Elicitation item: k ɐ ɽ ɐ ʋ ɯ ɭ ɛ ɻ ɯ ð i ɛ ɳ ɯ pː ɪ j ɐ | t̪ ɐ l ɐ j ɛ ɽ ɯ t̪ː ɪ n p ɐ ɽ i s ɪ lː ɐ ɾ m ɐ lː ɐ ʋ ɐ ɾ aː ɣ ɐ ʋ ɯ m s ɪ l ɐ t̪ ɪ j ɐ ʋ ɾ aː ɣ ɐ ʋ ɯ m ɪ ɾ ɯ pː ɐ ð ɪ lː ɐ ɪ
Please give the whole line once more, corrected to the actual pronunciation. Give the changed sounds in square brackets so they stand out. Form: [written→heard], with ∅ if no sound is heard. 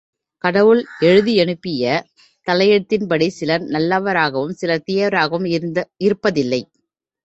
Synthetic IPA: k ɐ ɽ ɐ ʋ ɯ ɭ ɛ ɻ ɯ ð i ɛ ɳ ɯ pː ɪ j ɐ | t̪ ɐ l ɐ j ɛ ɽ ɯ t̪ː ɪ n p ɐ ɽ i s ɪ [lː→l] ɐ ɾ [m→n] ɐ lː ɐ ʋ ɐ ɾ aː ɣ ɐ ʋ ɯ m s ɪ l ɐ t̪ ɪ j ɐ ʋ ɾ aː ɣ ɐ ʋ ɯ m ɪ ɾ ɯ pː ɐ ð ɪ lː ɐ ɪ